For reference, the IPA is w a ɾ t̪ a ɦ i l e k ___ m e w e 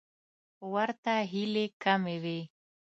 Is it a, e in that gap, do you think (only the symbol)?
a